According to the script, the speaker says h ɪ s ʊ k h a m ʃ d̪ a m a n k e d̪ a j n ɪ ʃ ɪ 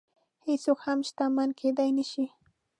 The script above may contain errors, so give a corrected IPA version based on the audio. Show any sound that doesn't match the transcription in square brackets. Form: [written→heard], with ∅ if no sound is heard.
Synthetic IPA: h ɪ s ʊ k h a m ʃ [d̪→t̪] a m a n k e d̪ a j n ɪ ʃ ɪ